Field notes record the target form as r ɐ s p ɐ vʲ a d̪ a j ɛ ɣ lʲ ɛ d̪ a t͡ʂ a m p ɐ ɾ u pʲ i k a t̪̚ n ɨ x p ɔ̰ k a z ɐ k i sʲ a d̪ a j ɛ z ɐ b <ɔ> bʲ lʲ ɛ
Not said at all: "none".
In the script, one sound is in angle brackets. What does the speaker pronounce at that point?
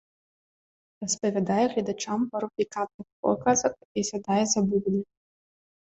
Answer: u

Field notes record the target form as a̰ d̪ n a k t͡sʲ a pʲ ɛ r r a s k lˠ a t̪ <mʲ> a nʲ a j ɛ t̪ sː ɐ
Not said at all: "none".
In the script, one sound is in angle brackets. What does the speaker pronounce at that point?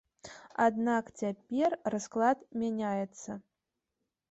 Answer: mʲ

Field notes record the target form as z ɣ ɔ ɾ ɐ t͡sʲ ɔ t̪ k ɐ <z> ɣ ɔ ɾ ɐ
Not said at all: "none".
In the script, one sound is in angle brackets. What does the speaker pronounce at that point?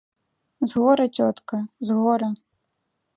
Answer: z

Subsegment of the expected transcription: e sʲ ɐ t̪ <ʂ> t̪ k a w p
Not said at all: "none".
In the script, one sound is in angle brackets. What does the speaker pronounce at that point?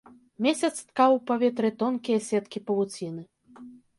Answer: s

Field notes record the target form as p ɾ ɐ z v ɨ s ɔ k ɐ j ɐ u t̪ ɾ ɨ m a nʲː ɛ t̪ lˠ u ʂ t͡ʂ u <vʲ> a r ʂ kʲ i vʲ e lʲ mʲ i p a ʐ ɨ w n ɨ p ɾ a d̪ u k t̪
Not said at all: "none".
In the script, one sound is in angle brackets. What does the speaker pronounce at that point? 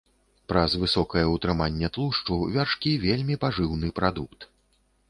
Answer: vʲ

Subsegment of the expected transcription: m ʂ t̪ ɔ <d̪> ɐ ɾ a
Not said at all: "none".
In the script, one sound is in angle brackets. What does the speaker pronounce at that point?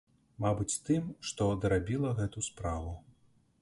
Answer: d̪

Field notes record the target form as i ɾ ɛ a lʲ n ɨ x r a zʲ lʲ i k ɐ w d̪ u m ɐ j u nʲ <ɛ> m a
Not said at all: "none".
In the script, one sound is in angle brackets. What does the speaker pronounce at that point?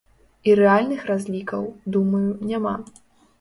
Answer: a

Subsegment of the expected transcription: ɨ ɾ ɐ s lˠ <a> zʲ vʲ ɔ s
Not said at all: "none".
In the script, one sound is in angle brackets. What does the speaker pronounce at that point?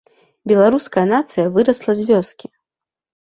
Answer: ɐ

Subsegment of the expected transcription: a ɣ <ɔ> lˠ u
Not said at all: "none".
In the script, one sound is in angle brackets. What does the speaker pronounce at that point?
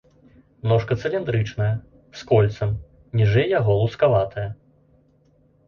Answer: ɔ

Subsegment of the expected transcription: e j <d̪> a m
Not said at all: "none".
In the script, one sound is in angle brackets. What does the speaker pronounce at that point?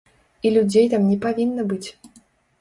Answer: t̪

